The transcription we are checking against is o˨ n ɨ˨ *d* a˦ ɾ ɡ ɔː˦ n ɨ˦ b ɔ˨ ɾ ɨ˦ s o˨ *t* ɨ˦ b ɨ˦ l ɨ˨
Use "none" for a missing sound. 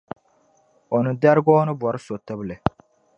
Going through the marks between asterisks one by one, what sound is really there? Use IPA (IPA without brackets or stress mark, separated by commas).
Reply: d, t